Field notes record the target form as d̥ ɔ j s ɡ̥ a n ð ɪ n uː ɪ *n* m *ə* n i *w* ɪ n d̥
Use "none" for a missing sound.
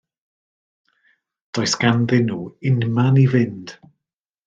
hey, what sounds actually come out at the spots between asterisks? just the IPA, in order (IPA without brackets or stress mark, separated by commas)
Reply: n, a, v